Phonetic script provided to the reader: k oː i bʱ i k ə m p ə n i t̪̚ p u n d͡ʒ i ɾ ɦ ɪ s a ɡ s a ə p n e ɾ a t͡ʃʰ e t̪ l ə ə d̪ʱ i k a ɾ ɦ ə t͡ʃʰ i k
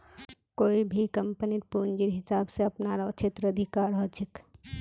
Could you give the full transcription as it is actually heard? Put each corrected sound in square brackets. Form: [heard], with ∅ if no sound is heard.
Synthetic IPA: k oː i bʱ i k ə m p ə n i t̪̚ p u n d͡ʒ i ɾ ɦ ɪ s a [b] s [e] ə p n [a] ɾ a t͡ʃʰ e t̪ [ɾ] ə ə d̪ʱ i k a ɾ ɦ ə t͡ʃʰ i k